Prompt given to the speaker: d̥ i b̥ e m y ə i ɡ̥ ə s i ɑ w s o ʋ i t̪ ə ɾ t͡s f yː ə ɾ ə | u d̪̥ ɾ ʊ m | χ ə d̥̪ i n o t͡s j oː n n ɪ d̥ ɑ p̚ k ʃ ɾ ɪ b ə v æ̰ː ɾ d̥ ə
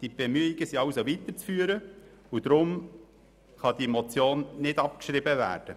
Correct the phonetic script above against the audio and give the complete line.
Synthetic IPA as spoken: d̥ i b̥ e m y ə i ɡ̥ ə s i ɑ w s o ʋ i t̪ ə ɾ t͡s f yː ə ɾ ə | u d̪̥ ɾ ʊ m | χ ɑ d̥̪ i m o t͡s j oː n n ɪ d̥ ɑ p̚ k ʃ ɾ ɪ b ə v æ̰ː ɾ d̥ ə